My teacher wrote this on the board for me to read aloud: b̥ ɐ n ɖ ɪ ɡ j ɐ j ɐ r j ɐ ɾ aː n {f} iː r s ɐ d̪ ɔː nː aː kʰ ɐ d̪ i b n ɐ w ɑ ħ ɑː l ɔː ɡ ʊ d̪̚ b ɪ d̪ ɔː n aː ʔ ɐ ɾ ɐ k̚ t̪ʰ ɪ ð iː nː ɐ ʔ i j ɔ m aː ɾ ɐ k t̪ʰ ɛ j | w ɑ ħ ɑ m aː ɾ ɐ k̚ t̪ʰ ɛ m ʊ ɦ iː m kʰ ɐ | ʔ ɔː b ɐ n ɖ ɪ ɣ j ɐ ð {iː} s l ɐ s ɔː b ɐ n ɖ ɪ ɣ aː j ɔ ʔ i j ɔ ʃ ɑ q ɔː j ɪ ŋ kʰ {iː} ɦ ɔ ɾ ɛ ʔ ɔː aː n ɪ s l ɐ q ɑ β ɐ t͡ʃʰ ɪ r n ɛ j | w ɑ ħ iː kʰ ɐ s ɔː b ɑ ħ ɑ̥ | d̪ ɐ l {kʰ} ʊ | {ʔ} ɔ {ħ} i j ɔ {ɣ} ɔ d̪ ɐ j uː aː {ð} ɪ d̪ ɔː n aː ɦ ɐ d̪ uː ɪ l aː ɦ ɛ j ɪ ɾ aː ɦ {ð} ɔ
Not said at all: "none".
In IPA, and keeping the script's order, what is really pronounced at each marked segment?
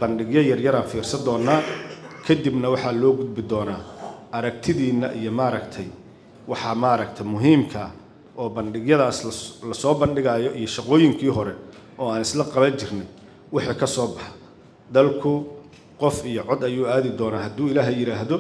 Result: f, aː, iː, kʰ, q, f, ʕ, ð, ð

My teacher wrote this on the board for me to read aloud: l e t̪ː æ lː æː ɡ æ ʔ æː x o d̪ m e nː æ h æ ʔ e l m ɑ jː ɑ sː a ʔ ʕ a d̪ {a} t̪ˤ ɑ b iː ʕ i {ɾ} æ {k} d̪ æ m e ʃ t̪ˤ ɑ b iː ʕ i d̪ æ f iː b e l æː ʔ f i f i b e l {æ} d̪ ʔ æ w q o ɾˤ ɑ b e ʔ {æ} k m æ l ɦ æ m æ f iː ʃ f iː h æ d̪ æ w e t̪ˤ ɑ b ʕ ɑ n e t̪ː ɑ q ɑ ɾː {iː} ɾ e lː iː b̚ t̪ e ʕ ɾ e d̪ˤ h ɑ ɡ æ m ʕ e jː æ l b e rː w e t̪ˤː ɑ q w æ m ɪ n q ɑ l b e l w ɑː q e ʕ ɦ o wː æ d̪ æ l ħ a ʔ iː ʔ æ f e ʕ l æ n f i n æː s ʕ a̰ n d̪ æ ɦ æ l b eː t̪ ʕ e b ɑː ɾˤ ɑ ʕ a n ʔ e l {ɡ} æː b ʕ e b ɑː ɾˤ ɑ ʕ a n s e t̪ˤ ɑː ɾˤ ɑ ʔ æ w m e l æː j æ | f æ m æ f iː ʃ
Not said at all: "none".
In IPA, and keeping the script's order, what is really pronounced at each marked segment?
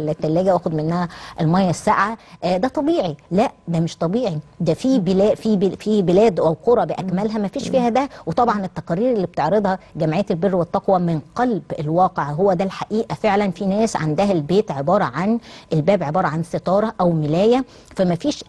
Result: æ, l, ʔ, æː, æ, iː, b

